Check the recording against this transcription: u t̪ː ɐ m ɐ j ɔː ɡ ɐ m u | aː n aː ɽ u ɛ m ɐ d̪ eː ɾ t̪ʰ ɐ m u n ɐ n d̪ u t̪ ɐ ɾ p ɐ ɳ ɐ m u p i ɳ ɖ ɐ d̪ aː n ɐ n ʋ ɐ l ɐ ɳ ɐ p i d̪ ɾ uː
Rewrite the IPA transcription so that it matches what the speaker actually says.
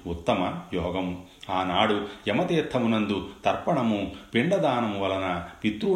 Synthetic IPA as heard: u t̪ː ɐ m ɐ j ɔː ɡ ɐ m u | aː n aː ɽ u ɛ m ɐ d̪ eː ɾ t̪ʰ ɐ m u n ɐ n d̪ u t̪ ɐ ɾ p ɐ ɳ ɐ m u p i ɳ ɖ ɐ d̪ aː n ɐ m ʋ ɐ l ɐ n ɐ p i t̪ ɾ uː